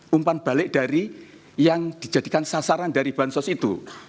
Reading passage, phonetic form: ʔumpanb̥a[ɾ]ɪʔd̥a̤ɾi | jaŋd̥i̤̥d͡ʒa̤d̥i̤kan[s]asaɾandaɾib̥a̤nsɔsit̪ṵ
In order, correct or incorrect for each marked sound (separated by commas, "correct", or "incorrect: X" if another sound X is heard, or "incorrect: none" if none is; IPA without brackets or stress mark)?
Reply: incorrect: l, correct